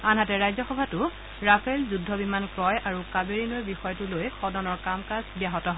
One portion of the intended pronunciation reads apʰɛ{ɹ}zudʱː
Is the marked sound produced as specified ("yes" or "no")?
no